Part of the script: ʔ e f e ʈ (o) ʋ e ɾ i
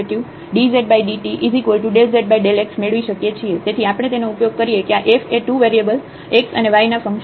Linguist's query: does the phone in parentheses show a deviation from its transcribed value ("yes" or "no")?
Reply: yes